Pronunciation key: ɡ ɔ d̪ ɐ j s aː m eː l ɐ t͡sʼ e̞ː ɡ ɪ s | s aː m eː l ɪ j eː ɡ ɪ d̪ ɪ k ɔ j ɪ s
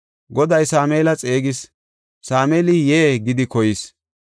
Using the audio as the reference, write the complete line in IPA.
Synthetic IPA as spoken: ɡ ɔ d̪ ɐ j s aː m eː l ɐ t͡sʼ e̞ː ɡ ɪ s | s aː m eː l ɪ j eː ɡ ɪ d̪ ɪ k ɔ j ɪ s

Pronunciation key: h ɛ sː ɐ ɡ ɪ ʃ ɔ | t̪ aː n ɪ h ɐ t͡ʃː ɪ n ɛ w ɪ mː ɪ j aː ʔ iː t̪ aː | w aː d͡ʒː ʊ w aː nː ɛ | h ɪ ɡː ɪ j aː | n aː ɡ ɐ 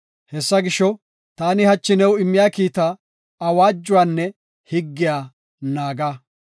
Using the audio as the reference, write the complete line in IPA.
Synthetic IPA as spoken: h ɛ sː ɐ ɡ ɪ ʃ ɔ | t̪ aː n ɪ h ɐ t͡ʃː ɪ n ɛ w ɪ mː ɪ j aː k iː t̪ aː | w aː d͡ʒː ʊ w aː nː ɛ | h ɪ ɡː ɪ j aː | n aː ɡ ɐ

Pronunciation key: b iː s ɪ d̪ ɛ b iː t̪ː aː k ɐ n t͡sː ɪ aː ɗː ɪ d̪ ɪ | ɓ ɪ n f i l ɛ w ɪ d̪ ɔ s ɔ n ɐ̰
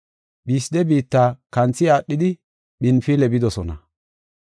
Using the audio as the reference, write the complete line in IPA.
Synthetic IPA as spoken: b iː s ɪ d̪ ɛ b iː t̪ː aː k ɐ n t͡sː ɪ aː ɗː ɪ d̪ ɪ | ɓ ɪ n f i l ɛ b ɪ d̪ ɔ s ɔ n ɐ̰

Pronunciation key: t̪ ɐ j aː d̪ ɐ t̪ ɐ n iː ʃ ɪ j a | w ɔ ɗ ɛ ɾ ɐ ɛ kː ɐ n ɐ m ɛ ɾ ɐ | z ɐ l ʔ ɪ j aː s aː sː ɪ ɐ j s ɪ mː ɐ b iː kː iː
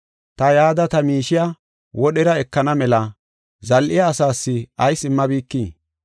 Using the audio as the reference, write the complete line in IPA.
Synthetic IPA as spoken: t̪ ɐ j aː d̪ ɐ t̪ ɐ m iː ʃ ɪ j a | w ɔ ɗ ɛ ɾ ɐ ɛ kː ɐ n ɐ m ɛ l ɐ | z ɐ l ʔ ɪ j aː s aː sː ɪ ɐ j s ɪ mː ɐ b iː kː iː

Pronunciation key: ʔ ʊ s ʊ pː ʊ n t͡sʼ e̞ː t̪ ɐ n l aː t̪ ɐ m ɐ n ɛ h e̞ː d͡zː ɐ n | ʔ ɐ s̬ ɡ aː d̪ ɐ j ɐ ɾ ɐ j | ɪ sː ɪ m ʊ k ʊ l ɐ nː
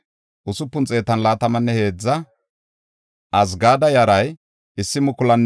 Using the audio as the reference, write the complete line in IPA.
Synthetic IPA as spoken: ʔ ʊ s ʊ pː ʊ n t͡sʼ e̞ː t̪ ɐ n l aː t̪ ɐ m ɐ nː ɛ h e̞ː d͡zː ɐ | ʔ ɐ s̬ ɡ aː d̪ ɐ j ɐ ɾ ɐ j | ɪ sː ɪ m ʊ k ʊ l ɐ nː

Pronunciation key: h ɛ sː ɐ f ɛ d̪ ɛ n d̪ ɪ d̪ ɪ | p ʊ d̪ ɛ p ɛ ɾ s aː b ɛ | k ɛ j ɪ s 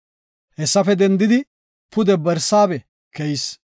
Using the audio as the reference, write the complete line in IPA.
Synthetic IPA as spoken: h ɛ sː ɐ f ɛ d̪ ɛ n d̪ ɪ d̪ ɪ | p ʊ d̪ ɛ b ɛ ɾ s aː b ɛ | k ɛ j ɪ s

